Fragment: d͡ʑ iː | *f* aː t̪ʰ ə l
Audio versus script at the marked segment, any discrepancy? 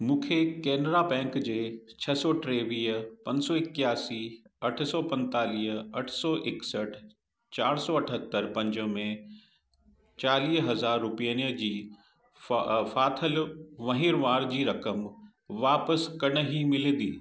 no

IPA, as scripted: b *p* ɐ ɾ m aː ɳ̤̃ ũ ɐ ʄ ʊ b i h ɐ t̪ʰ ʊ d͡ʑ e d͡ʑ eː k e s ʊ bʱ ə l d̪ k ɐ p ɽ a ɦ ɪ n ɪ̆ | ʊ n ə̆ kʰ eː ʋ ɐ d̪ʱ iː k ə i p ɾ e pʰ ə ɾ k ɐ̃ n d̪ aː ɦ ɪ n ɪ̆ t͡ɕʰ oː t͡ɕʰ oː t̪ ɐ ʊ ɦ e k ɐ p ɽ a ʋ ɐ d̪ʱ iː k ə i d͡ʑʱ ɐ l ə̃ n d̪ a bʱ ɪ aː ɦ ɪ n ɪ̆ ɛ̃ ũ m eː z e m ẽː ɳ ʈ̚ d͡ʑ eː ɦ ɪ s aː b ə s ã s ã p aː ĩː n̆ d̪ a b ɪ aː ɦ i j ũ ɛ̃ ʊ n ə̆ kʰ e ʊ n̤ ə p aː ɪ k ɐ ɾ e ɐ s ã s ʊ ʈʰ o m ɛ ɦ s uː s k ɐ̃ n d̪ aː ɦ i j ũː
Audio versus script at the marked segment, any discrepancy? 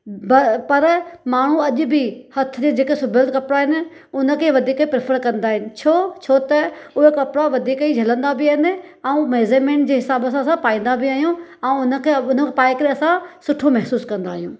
no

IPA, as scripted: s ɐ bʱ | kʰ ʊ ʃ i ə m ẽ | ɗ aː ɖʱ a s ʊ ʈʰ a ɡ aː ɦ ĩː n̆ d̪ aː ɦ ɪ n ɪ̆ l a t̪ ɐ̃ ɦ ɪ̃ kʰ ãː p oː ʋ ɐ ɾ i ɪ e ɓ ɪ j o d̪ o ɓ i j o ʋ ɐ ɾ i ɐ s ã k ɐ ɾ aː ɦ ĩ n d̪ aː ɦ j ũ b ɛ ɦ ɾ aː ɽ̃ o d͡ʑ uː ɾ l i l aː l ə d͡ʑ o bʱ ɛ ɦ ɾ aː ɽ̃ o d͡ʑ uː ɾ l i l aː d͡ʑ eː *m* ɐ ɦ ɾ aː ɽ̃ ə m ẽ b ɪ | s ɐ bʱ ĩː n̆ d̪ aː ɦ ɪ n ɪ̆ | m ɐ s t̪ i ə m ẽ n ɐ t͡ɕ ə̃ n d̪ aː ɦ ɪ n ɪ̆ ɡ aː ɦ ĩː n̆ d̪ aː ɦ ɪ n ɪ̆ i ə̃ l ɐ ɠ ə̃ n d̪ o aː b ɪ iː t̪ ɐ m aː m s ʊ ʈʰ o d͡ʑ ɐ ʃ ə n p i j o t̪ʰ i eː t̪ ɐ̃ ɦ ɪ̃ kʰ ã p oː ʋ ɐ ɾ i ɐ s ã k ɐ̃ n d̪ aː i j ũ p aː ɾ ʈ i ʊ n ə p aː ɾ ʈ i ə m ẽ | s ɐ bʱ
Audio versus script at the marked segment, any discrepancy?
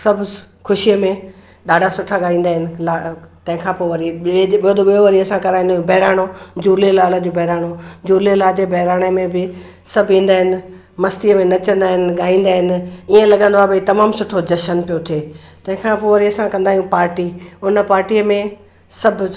yes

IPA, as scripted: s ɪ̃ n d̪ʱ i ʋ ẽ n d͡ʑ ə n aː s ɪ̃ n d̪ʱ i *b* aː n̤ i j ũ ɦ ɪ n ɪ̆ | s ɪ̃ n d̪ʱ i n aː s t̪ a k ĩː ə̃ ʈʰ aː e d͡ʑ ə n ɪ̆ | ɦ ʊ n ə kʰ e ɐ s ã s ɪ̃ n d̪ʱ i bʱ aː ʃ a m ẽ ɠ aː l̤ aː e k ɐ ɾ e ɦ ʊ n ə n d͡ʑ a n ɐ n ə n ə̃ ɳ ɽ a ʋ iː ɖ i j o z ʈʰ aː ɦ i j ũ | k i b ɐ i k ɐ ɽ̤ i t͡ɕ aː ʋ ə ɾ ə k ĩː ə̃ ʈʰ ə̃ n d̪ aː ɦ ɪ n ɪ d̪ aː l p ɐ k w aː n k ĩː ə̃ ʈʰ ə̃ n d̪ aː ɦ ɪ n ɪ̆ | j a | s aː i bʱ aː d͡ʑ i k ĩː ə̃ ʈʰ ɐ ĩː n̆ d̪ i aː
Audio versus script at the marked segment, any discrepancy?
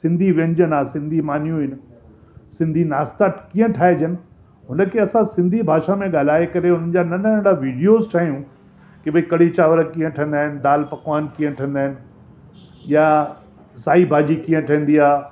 yes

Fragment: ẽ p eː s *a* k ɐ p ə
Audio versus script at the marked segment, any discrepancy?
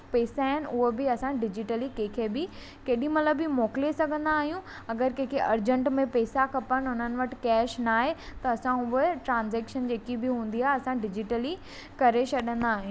no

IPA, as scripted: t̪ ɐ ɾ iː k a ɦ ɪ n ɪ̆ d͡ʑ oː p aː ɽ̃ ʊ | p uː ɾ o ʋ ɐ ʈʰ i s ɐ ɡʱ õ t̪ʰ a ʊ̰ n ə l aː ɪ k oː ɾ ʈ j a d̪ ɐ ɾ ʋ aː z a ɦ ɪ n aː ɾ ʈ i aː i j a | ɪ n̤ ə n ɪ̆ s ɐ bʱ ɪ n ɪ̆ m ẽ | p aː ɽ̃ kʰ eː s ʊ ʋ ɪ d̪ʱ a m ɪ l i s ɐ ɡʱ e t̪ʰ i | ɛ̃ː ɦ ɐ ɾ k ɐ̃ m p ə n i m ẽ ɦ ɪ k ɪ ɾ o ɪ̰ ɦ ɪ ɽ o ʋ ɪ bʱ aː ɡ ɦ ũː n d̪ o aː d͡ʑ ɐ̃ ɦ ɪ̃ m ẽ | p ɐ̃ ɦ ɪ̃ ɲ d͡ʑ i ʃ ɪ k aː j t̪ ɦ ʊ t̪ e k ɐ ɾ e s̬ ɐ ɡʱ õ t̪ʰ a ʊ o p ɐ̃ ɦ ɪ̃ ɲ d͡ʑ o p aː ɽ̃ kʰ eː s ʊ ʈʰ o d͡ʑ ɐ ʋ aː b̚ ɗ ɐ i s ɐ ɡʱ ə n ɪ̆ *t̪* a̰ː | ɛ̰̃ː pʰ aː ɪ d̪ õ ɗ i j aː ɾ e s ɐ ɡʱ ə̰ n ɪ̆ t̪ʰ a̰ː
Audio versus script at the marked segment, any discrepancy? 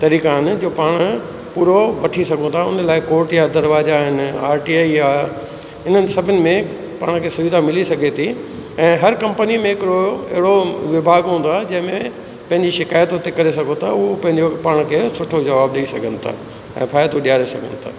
yes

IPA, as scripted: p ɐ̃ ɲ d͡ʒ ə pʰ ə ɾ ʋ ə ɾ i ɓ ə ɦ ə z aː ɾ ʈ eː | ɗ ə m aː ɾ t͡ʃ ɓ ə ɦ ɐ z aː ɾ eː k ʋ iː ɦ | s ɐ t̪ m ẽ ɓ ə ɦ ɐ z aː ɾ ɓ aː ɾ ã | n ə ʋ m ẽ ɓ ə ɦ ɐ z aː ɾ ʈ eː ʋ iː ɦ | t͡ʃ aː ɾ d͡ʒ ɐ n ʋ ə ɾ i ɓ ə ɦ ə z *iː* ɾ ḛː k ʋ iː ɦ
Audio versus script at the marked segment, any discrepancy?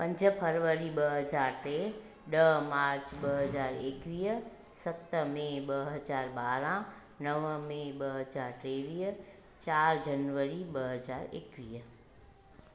yes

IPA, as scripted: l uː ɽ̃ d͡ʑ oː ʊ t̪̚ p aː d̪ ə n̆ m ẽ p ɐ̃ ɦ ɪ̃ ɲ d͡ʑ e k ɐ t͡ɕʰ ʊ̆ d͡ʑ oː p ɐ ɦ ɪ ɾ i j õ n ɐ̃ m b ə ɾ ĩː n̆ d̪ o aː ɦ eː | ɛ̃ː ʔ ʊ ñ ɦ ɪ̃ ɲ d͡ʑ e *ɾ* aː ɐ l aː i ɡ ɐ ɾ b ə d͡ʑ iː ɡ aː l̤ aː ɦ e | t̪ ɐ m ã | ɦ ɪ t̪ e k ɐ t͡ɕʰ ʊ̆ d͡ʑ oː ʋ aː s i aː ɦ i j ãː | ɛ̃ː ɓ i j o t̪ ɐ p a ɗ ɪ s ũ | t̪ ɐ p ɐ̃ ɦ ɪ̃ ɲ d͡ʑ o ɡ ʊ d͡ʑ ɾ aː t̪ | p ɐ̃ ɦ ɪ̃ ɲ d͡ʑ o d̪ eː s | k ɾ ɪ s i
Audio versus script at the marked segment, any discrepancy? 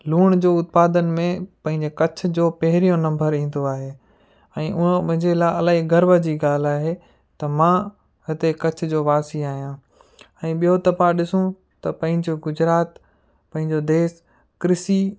yes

